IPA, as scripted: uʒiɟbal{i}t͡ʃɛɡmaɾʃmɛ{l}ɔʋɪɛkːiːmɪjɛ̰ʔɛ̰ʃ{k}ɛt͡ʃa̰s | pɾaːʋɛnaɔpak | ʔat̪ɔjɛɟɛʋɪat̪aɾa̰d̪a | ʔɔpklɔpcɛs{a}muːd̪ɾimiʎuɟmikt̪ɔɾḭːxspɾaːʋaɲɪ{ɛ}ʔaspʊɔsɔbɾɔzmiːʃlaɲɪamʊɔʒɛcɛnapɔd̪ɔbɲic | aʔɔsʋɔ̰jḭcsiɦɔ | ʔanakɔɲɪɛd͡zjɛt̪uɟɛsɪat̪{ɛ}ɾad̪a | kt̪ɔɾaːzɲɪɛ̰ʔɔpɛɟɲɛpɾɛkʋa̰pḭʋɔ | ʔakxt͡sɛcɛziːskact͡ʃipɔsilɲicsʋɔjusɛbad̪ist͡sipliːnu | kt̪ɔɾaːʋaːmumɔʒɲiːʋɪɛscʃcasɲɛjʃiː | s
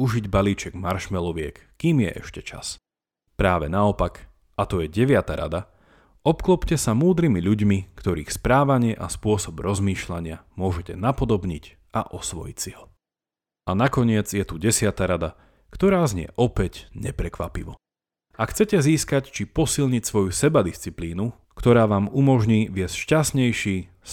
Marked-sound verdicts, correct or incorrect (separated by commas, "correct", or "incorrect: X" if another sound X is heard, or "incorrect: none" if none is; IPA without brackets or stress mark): incorrect: iː, correct, incorrect: c, correct, correct, incorrect: a